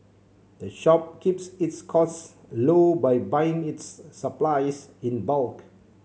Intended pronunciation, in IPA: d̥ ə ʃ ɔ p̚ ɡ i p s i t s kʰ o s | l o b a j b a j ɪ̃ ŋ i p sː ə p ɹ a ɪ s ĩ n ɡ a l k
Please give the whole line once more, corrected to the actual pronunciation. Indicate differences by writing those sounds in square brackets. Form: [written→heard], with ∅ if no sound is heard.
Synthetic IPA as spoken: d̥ ə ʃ ɔ p̚ [ɡ→k] i p s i t s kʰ [o→ɔ] s | l o b a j b a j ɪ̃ ŋ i [p→t] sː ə p [ɹ→l] a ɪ s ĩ n [ɡ→b] a l k